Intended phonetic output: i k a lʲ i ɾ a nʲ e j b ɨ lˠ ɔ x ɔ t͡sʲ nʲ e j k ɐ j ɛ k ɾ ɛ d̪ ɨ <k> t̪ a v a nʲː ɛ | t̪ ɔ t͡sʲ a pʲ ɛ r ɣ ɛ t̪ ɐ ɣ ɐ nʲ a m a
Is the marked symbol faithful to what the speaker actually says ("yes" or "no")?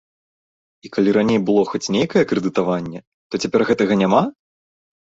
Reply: no